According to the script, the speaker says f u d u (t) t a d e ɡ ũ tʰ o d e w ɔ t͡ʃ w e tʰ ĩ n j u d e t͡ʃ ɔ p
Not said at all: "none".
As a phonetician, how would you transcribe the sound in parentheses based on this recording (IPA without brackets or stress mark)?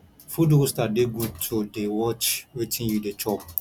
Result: s